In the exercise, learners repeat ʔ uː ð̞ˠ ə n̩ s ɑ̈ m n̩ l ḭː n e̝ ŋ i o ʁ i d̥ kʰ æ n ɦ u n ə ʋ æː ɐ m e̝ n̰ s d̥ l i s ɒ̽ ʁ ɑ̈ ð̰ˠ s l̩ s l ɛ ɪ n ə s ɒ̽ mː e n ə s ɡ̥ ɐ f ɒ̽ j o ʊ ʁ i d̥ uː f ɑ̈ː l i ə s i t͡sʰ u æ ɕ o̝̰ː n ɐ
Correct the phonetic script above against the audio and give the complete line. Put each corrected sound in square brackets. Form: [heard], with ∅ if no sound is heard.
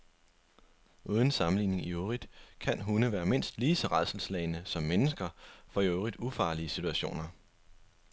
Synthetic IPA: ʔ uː ð̞ˠ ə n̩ s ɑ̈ m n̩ l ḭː n e̝ ŋ i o ʁ i d̥ kʰ æ n ɦ u n ə ʋ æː ɐ m e̝ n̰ s d̥ l [iː] s ɒ̽ ʁ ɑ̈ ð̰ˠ s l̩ s l ɛ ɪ n ə s ɒ̽ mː e n ə s ɡ̥ ɐ f ɒ̽ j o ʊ ʁ i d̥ [u] f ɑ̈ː l i ə s i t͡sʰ u æ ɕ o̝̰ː n ɐ